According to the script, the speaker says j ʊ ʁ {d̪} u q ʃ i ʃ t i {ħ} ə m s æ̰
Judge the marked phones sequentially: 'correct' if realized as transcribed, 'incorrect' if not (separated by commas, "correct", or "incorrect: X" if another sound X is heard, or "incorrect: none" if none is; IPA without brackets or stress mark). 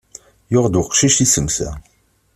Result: correct, incorrect: s